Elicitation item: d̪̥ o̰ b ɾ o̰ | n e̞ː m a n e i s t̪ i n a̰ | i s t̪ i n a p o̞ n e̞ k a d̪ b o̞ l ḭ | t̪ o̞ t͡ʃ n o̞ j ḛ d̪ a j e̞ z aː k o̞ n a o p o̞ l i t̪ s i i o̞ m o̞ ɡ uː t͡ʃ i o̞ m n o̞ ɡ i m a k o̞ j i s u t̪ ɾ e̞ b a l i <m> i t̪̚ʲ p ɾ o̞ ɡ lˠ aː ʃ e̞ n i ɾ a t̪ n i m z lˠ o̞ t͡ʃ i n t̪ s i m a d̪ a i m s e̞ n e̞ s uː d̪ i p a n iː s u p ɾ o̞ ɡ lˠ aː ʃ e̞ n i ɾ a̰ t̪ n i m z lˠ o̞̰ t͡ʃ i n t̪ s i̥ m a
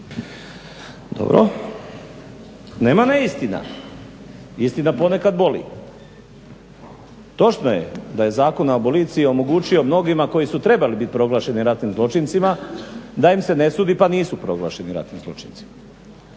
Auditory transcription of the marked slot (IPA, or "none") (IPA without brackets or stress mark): b